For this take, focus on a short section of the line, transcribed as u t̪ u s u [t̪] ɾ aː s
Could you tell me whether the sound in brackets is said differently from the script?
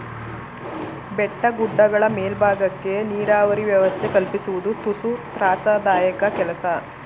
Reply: no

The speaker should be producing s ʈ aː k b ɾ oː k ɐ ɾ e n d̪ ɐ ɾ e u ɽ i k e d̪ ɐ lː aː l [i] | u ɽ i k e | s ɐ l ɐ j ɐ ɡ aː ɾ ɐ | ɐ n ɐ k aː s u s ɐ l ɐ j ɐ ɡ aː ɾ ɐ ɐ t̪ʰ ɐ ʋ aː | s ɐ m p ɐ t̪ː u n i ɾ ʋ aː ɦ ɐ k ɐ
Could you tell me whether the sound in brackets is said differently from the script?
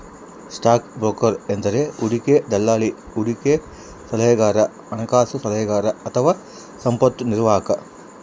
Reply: no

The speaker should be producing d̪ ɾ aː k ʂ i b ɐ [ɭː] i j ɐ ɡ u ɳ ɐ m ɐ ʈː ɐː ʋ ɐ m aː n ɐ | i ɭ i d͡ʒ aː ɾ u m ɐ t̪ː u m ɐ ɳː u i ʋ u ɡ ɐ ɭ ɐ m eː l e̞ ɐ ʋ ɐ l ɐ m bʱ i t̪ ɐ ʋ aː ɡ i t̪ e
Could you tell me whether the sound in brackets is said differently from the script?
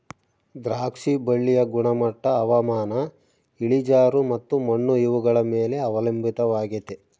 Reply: no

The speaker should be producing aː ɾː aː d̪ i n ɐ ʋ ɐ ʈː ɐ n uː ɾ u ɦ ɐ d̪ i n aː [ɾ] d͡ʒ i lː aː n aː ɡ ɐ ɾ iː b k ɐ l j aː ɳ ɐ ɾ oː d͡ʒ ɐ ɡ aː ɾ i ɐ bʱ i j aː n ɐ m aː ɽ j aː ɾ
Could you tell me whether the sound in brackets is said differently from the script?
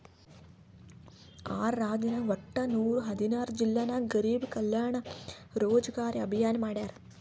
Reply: no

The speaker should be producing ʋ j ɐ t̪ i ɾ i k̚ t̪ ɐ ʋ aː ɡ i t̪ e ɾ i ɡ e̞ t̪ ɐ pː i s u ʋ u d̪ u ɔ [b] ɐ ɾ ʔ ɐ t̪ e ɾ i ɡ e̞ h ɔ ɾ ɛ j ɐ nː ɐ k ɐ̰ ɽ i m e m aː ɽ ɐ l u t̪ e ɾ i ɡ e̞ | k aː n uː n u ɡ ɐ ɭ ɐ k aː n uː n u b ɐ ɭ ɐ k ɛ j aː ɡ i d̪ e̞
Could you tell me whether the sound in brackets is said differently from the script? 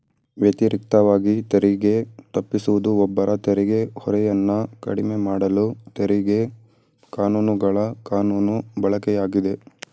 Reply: yes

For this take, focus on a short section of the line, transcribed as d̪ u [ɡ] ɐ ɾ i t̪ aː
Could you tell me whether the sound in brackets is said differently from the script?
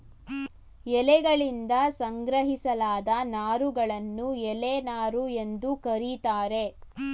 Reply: yes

